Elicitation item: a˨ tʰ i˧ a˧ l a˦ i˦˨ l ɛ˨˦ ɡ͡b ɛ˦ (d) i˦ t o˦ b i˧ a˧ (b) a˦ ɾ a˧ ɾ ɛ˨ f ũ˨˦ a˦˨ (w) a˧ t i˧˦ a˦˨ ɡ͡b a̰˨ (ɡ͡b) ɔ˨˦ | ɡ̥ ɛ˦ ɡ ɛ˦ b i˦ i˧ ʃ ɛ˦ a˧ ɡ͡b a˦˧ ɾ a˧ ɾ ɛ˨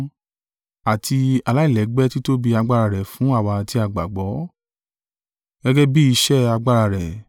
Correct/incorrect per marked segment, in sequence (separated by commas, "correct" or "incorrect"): incorrect, incorrect, correct, correct